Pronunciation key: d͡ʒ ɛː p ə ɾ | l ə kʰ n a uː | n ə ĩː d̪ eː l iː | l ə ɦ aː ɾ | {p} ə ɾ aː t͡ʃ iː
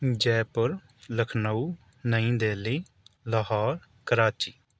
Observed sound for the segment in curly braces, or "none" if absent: k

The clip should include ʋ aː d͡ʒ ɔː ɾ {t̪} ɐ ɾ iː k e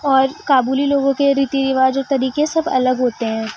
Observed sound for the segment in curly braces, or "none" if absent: t̪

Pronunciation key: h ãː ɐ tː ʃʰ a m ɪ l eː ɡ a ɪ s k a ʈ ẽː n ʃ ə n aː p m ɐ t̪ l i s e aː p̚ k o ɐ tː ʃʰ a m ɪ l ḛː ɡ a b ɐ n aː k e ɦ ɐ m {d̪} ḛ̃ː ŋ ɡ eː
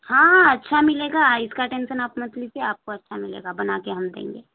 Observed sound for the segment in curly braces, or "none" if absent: d̪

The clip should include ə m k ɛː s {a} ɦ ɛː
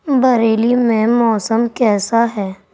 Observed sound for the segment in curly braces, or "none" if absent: a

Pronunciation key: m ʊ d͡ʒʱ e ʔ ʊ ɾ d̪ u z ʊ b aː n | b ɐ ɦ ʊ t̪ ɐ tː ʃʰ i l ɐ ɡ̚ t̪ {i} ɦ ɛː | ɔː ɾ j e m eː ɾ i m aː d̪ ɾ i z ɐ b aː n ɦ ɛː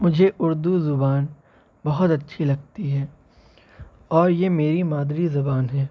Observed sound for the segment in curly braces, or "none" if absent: i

